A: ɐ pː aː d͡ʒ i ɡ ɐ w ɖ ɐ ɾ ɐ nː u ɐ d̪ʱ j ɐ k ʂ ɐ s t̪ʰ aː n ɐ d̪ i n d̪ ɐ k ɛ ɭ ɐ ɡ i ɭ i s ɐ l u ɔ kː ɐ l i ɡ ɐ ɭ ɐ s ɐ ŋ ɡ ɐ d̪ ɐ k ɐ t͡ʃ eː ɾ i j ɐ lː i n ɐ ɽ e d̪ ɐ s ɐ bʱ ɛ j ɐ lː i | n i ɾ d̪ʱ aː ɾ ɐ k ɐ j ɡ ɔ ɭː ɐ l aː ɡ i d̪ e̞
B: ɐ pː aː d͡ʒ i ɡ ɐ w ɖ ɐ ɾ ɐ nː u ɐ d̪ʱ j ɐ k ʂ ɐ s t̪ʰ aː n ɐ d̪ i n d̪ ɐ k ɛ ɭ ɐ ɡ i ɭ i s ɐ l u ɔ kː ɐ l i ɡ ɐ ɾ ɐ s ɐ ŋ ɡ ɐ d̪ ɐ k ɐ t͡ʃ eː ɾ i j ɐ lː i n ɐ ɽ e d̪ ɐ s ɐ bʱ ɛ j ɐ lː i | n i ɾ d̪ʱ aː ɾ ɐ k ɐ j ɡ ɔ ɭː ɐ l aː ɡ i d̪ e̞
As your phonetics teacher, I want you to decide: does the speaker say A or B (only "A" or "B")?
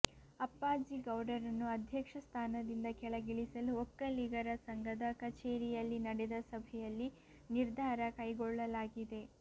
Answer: B